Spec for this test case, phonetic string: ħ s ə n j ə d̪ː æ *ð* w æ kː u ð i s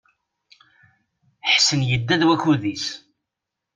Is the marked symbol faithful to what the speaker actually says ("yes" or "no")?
yes